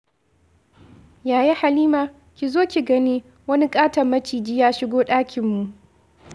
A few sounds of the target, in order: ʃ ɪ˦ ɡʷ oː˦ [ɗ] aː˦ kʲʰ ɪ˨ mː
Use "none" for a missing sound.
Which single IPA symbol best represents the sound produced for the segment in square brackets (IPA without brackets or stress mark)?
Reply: ɗ